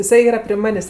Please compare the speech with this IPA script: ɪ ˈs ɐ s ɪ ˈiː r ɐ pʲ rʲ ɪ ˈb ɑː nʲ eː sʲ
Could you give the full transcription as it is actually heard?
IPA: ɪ ˈs ɐ ɪ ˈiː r ɐ pʲ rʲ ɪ ˈm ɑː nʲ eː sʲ